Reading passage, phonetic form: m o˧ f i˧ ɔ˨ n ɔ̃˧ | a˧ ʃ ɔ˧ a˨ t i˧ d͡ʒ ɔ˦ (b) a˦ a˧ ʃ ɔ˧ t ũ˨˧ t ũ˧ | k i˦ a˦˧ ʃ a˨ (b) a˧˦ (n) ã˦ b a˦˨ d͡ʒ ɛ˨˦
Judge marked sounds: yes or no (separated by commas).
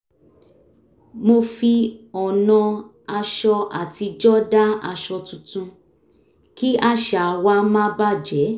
no, no, no